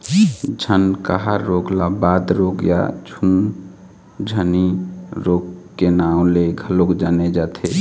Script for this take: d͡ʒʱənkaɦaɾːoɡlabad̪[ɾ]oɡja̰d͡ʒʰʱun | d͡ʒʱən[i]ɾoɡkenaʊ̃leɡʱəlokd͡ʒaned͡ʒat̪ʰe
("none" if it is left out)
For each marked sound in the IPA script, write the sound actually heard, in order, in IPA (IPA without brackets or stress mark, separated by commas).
ɾ, i